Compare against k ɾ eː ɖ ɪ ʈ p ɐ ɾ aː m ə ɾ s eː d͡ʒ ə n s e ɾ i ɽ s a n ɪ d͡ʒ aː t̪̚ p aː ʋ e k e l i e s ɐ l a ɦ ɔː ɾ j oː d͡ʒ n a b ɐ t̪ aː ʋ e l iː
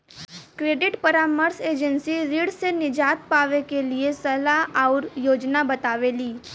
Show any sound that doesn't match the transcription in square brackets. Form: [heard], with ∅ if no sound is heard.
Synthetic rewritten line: k ɾ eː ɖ ɪ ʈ p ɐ ɾ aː m ə ɾ s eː d͡ʒ ə n s [i] ɾ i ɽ s [e] n ɪ d͡ʒ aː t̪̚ p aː ʋ e k e l i e s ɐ l a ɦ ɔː ɾ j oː d͡ʒ n a b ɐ t̪ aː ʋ e l iː